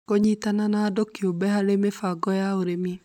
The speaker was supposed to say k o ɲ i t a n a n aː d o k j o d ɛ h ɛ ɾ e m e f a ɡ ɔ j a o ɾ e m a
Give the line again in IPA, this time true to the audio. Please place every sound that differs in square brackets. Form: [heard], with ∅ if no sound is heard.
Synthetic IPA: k o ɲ i t a n a n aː d o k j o [b] ɛ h [a] ɾ e m e f a ɡ ɔ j a o ɾ e m [i]